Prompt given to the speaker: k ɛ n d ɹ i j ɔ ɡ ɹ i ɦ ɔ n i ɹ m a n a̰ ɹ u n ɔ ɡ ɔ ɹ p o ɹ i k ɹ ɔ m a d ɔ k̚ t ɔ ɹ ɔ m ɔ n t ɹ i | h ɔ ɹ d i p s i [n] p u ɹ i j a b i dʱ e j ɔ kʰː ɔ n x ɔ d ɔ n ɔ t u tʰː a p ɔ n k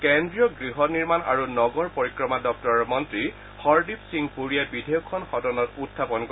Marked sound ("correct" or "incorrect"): incorrect